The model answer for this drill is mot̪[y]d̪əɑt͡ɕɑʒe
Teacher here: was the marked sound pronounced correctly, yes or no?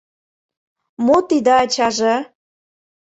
no